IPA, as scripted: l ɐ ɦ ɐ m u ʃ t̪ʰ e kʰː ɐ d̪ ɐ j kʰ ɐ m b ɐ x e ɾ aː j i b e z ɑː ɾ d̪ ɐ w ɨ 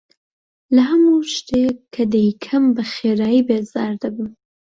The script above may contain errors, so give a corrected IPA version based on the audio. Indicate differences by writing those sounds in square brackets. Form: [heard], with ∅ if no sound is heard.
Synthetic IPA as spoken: l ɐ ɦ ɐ m u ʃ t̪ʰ e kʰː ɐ d̪ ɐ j kʰ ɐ m b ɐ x e ɾ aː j i b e z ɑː ɾ d̪ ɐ [b] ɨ